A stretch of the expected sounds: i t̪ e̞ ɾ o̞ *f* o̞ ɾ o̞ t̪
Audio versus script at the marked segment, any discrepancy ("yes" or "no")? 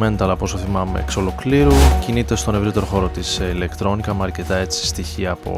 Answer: yes